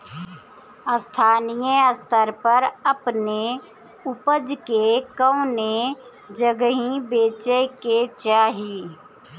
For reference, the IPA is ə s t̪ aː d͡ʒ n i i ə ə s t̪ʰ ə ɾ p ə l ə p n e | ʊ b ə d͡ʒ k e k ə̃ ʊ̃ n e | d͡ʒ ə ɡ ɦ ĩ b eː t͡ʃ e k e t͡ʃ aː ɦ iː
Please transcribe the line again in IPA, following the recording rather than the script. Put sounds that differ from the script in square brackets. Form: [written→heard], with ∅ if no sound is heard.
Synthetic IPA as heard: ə s [t̪→t̪ʰ] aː [d͡ʒ→∅] n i [i→j] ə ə s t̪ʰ ə ɾ p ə [l→ɾ] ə p n e | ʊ [b→p] ə d͡ʒ k e k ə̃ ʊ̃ n e | d͡ʒ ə ɡ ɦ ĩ b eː t͡ʃ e k e t͡ʃ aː ɦ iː